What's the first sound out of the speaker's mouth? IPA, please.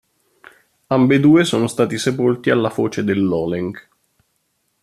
a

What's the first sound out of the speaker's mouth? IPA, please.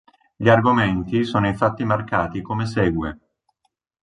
ʎ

